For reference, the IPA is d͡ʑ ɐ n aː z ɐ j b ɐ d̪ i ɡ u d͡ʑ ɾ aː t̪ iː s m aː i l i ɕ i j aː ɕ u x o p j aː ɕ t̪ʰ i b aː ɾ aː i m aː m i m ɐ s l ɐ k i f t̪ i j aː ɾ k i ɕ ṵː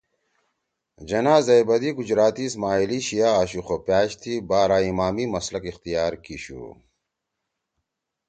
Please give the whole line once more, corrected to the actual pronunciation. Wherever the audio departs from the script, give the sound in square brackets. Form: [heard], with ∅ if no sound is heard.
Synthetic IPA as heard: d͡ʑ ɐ n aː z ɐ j b ɐ d̪ i ɡ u d͡ʑ ɾ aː t̪ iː s m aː i l i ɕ i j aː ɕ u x o p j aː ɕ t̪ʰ i b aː ɾ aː i m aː m i m ɐ s l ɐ k i [x] t̪ i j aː ɾ k i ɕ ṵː